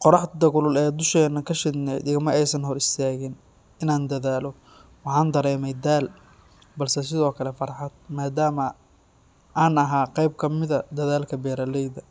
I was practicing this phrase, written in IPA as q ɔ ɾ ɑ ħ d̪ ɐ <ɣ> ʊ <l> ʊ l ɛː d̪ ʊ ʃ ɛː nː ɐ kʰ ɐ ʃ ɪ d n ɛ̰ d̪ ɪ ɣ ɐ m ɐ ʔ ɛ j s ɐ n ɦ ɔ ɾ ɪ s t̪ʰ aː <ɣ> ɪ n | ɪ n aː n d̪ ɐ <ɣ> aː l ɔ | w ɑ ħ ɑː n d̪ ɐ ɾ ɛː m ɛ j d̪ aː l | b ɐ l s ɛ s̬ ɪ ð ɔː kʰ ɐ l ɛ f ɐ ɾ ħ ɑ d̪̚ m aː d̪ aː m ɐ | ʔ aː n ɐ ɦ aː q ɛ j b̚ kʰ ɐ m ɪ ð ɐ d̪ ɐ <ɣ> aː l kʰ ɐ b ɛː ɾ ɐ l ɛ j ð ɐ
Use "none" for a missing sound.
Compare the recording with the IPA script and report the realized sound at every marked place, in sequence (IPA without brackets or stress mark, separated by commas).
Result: ɣ, l, ɣ, ð, ð